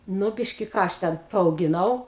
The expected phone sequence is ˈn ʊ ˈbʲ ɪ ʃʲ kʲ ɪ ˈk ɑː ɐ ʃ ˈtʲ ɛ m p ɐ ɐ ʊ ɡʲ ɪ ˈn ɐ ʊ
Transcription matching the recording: ˈn ʊ ˈbʲ ɪ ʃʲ kʲ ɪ ˈk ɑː ɐ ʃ ˈtʲ ɛ n p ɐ ɐ ʊ ɡʲ ɪ ˈn ɐ ʊ